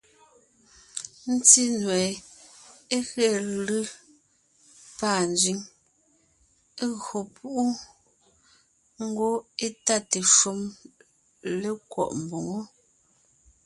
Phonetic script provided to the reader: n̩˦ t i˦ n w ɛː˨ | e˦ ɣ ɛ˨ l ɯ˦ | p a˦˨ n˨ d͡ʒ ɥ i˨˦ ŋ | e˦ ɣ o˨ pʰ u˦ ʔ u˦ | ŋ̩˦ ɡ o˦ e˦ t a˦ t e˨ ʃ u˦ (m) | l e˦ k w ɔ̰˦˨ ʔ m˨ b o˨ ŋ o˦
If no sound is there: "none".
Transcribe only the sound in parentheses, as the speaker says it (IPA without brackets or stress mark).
m